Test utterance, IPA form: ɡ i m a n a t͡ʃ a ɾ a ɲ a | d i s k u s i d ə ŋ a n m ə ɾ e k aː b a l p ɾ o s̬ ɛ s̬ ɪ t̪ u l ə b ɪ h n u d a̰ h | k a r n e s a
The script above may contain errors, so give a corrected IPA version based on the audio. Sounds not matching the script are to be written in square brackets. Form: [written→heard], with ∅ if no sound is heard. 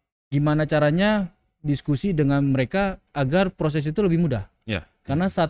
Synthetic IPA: ɡ i m a n a t͡ʃ a ɾ a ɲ a | d i s k u s i d ə ŋ a n m ə ɾ e k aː [b→ɡ] a [l→r] p ɾ o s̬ ɛ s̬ [ɪ→i] t̪ u l ə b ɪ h [n→m] u d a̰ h | k a r n [e→a] s a